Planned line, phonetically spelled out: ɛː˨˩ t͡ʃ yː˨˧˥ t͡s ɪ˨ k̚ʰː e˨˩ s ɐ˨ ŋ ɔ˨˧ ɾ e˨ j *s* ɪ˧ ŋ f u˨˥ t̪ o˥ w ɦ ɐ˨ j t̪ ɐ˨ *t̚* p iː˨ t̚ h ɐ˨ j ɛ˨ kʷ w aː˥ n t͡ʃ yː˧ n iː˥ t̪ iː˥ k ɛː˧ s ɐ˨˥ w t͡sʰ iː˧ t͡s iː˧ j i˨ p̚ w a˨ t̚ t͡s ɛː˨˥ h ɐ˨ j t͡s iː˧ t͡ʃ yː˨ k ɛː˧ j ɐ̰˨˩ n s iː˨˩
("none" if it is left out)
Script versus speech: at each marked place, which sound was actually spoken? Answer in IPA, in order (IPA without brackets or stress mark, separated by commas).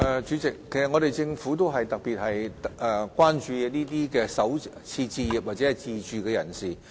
t͡s, k̚